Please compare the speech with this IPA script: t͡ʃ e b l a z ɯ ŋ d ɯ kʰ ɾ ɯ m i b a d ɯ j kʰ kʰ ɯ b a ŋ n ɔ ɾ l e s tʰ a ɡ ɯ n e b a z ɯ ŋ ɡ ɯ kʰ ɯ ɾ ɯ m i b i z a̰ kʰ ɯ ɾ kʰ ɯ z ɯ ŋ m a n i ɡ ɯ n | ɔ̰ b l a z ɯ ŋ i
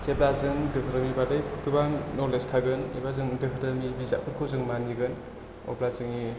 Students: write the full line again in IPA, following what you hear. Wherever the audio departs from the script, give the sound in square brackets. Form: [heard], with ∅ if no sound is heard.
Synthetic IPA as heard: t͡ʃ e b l a z ɯ ŋ d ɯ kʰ ɾ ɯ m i b a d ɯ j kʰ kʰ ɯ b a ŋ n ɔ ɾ l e s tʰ a ɡ ɯ n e b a z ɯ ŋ [d] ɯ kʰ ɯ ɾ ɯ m i b i z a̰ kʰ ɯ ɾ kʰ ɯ z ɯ ŋ m a n i ɡ ɯ n | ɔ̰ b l a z ɯ ŋ i